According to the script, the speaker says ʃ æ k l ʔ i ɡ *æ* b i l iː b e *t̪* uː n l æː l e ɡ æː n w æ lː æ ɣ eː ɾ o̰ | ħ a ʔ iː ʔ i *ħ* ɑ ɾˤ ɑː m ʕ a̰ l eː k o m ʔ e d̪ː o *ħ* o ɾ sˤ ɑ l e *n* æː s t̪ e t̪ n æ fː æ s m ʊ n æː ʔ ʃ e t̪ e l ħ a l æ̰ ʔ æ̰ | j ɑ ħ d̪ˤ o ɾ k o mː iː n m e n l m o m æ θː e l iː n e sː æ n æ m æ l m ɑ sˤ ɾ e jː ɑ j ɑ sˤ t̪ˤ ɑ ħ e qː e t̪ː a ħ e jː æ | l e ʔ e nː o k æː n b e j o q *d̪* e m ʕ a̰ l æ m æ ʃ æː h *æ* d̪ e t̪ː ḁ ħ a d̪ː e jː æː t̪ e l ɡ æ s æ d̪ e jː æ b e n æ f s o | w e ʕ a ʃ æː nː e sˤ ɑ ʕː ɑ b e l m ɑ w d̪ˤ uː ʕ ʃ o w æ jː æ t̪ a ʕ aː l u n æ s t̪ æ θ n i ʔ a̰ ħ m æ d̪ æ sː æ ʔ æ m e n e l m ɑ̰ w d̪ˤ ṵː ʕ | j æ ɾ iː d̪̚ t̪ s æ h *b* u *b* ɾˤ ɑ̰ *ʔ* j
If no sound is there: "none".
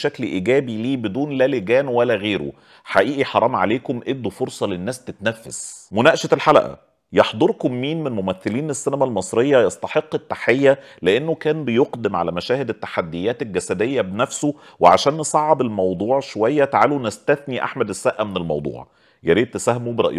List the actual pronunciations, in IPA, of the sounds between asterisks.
æː, d̪, ħ, f, nː, d̪, e, m, b, ʔ

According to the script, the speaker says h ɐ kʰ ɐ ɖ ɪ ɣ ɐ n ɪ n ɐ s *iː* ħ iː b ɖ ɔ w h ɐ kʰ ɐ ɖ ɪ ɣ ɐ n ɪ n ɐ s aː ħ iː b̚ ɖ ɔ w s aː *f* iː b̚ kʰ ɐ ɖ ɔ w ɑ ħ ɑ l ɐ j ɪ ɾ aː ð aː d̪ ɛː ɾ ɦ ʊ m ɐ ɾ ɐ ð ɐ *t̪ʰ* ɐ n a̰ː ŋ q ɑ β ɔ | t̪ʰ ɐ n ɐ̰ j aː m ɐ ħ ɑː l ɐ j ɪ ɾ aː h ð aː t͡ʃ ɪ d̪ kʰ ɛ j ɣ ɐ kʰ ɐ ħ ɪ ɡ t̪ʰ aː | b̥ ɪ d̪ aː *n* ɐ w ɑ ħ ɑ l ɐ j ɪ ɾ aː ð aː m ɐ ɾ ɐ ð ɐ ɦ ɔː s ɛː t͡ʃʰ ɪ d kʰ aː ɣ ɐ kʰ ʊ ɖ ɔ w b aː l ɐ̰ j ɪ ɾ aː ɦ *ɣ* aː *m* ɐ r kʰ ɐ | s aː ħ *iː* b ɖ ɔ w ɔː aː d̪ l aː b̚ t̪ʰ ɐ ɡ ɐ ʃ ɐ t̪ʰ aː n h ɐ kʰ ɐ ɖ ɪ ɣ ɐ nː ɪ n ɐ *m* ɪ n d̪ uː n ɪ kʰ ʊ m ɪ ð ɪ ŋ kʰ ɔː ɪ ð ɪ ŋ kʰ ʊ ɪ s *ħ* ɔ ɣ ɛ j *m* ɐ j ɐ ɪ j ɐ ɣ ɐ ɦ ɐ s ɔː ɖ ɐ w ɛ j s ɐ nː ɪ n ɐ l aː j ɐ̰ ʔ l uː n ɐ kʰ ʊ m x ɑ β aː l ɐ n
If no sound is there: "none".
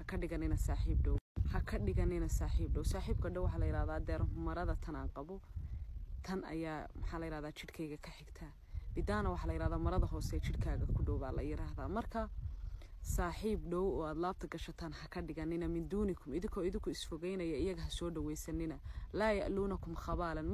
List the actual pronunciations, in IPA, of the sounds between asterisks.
aː, ħ, t̪ʰ, n, ð, m, iː, m, f, n

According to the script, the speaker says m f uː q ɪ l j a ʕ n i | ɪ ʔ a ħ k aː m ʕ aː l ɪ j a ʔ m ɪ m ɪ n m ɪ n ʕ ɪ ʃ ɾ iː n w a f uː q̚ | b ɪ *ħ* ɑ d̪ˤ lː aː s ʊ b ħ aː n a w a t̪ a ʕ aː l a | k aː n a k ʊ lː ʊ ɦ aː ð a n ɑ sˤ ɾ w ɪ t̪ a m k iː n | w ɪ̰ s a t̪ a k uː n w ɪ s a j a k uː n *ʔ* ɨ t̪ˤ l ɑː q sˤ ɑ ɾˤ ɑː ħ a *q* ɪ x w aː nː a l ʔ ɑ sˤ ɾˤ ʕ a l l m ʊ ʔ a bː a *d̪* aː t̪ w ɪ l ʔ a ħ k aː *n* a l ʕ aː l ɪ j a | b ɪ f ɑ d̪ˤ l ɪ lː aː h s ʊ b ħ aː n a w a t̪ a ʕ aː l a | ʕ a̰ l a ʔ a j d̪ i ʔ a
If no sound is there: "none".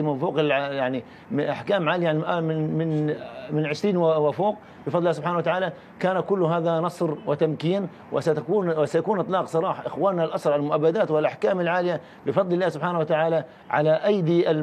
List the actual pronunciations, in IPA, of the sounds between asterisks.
f, ʔ, ʔ, d̪, m

